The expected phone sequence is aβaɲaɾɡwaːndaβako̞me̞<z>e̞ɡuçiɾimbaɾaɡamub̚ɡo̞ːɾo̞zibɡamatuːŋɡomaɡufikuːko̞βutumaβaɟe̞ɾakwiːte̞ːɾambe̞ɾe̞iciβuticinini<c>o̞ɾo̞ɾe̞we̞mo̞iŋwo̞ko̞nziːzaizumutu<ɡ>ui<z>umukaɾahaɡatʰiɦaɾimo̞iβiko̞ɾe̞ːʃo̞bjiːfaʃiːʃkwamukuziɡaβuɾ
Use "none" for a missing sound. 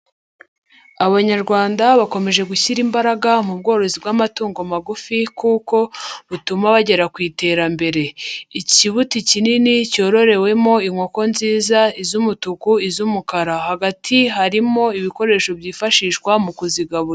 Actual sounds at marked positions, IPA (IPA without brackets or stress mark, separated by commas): ʒ, c, k, z